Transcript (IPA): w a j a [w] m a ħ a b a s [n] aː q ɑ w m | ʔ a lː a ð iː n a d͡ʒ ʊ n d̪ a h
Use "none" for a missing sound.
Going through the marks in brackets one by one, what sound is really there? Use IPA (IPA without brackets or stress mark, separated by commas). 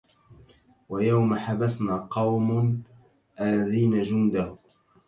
w, n